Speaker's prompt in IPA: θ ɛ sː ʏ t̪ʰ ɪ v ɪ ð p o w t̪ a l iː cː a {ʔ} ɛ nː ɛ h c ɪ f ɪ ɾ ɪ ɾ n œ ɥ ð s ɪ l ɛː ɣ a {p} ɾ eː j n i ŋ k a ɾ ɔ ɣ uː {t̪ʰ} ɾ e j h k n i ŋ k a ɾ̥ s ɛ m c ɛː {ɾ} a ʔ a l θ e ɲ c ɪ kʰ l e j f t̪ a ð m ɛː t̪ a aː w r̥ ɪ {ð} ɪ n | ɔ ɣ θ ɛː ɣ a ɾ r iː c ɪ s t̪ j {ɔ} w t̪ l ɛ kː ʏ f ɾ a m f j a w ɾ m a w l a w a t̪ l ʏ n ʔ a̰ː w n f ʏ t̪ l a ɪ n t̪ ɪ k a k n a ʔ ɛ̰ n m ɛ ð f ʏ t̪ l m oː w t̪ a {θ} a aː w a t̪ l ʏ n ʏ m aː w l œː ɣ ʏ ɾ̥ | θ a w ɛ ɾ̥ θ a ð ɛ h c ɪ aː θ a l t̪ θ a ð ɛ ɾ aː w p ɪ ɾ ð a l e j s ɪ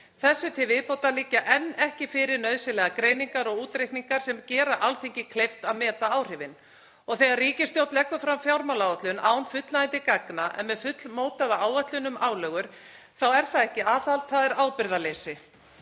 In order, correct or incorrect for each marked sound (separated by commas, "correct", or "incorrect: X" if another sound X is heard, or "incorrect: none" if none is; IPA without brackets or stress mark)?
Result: correct, incorrect: k, incorrect: t̪, correct, incorrect: v, incorrect: o, incorrect: ð